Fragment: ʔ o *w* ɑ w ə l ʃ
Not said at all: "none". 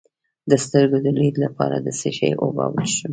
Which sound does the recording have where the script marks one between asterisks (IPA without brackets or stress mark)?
b